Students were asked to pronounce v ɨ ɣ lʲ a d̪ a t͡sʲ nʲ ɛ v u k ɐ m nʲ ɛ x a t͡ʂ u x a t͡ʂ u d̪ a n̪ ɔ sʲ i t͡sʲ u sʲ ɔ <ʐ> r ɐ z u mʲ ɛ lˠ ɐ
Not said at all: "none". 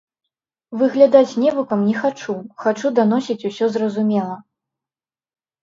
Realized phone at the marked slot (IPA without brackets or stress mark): z